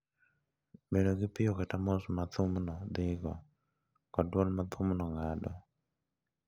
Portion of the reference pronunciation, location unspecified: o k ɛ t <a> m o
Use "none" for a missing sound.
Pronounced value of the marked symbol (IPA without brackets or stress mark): a